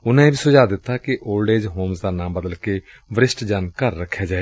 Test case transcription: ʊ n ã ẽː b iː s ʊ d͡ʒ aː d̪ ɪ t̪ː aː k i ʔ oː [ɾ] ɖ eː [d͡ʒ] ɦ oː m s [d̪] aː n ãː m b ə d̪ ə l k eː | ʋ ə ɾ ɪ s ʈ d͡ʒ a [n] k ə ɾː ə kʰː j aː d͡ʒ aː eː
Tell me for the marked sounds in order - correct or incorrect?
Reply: incorrect: l, correct, correct, correct

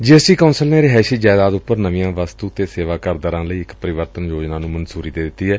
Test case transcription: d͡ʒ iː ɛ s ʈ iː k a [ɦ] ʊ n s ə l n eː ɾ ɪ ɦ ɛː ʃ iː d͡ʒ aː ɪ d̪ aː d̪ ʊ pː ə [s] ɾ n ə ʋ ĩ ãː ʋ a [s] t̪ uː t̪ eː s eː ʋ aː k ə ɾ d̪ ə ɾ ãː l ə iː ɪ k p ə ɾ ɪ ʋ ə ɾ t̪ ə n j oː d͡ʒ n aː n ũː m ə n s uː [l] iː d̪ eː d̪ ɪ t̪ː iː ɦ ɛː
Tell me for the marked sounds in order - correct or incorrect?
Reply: incorrect: none, incorrect: none, correct, incorrect: ɾ

